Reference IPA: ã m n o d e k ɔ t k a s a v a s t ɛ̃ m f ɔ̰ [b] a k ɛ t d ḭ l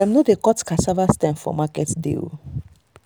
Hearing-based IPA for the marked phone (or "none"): m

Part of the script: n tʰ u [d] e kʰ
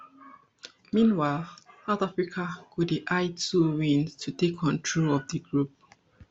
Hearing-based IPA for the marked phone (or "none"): t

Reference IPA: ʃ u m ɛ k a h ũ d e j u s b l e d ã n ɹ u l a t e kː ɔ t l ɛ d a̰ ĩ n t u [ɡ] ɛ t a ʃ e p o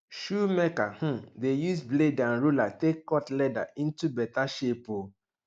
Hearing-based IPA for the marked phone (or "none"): b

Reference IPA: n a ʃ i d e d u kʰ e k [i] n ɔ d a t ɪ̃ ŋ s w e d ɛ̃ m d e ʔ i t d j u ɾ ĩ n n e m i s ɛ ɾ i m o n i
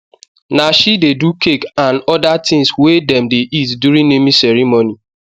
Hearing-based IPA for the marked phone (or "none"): a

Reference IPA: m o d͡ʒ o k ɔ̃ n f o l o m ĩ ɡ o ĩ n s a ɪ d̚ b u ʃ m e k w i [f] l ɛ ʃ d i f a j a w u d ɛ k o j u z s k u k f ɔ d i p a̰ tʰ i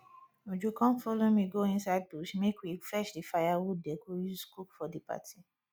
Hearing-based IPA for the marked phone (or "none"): f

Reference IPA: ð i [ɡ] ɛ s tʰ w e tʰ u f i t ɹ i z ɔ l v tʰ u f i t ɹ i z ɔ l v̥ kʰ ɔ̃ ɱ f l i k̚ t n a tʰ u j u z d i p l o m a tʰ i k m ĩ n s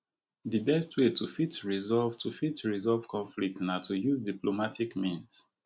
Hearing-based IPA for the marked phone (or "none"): b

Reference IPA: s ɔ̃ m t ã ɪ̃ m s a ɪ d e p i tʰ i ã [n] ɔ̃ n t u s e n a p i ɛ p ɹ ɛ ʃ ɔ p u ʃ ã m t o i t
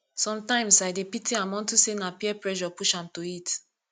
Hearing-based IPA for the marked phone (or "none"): m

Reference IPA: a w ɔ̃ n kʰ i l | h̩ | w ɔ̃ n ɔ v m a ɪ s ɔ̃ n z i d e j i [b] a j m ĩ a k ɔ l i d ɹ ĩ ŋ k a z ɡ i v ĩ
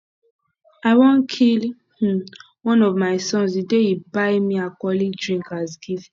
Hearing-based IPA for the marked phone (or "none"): b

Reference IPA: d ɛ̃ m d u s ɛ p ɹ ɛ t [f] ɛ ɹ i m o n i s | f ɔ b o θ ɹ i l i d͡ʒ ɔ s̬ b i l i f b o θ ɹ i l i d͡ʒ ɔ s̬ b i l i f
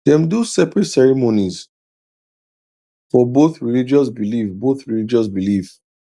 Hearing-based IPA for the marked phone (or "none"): s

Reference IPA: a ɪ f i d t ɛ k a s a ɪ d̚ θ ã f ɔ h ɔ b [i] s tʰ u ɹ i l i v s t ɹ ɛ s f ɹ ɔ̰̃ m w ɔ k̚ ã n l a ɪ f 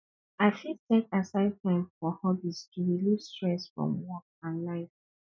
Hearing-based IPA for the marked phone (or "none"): i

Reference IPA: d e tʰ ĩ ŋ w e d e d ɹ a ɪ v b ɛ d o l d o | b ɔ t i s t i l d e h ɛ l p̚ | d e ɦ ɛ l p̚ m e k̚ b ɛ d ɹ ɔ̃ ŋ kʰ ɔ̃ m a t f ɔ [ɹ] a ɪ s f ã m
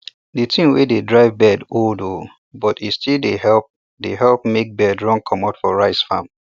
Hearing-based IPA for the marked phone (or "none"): ɹ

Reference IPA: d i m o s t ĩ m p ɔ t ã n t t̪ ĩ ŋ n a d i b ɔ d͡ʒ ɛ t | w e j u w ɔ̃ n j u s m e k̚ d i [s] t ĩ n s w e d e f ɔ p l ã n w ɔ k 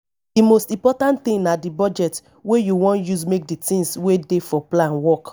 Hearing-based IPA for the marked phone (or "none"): none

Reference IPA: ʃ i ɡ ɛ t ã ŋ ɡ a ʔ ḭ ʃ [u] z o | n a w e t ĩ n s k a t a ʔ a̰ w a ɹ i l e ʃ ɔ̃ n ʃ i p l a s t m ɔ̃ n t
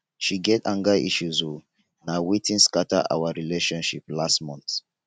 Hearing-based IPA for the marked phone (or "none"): u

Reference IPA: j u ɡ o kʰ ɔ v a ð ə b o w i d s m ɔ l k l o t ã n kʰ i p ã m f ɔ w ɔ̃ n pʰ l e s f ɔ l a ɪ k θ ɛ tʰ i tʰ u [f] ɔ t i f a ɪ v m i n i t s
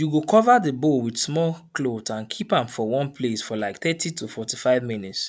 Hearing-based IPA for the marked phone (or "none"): f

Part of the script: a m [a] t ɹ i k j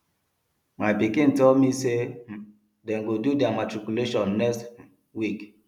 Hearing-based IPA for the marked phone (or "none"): a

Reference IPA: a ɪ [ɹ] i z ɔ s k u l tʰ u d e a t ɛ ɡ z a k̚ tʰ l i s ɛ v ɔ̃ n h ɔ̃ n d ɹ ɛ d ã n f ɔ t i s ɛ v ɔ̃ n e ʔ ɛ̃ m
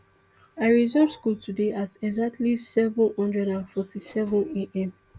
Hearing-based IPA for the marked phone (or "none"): ɹ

